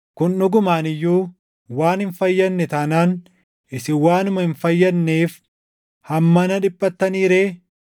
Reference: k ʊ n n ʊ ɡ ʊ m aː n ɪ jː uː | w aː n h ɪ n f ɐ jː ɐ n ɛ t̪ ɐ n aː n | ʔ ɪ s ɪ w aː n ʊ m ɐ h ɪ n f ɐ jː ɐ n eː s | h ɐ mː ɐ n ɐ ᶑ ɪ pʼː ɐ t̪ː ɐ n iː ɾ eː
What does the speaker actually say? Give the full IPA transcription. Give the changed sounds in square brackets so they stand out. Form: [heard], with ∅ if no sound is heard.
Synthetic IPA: k ʊ n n ʊ ɡ ʊ m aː n ɪ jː uː | w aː n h ɪ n f ɐ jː ɐ [nː] ɛ t̪ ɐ n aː n | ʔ ɪ s ɪ w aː n ʊ m ɐ h ɪ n f ɐ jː ɐ [nː] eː [f] | h ɐ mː ɐ n ɐ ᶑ ɪ pʼː ɐ t̪ː ɐ n iː ɾ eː